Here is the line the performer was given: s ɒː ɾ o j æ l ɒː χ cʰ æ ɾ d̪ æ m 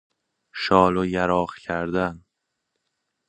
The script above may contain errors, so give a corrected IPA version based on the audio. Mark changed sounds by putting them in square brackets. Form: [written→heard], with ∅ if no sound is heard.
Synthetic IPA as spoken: [s→ʃ] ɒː [ɾ→l] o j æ [l→ɾ] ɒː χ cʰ æ ɾ d̪ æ [m→n]